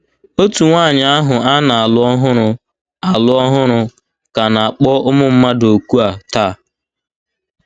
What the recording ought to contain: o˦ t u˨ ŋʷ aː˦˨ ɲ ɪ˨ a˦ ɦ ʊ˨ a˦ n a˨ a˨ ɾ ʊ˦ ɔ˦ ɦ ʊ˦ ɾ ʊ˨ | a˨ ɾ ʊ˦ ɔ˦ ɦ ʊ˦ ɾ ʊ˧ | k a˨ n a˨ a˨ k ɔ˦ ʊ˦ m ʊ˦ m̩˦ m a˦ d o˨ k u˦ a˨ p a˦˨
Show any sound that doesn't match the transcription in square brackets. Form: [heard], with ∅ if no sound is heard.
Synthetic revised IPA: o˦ t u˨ ŋʷ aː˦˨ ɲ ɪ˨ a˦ ɦ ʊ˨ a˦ n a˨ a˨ [l] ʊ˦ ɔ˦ ɦ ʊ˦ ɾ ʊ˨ | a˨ [l] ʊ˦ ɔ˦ ɦ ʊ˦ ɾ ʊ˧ | k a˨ n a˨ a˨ [k͡p] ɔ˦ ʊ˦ m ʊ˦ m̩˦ m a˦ d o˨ k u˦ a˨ [t] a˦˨